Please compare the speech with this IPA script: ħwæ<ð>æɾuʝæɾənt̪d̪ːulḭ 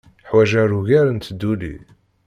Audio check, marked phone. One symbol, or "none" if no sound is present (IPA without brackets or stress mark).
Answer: ʒ